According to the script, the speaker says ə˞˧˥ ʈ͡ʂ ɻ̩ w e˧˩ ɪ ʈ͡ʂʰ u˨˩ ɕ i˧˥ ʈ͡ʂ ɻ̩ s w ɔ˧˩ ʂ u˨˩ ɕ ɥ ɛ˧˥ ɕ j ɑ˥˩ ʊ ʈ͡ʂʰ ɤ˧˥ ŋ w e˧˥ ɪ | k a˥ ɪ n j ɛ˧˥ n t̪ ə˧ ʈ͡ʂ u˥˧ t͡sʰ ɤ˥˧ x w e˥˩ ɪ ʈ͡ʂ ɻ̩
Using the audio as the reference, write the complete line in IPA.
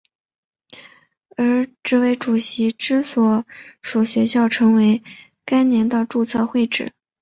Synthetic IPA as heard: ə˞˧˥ ʈ͡ʂ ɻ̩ w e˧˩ ɪ ʈ͡ʂ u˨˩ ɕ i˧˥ ʈ͡ʂ ɻ̩ s w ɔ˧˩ ʂ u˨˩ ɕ ɥ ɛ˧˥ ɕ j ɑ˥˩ ʊ ʈ͡ʂʰ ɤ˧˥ ŋ w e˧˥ ɪ | k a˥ ɪ n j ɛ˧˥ n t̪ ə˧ ʈ͡ʂ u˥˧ t͡sʰ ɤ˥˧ x w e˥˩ ɪ ʈ͡ʂ ɻ̩